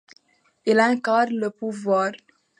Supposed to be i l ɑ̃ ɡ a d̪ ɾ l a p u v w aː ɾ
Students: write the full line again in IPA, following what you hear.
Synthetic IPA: i l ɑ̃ k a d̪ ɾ l ə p u v w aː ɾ